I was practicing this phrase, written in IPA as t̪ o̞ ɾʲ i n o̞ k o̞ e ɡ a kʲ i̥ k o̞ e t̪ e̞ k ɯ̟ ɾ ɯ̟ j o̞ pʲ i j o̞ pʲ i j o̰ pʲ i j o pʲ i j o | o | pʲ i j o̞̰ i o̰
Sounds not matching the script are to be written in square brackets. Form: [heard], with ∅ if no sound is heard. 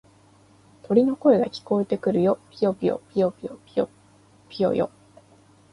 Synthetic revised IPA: t̪ o̞ ɾʲ i n o̞ k o̞ e ɡ a kʲ i̥ k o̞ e t̪ e̞ k ɯ̟ ɾ ɯ̟ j o̞ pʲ i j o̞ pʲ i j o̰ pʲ i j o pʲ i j o | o | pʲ i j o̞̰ [j] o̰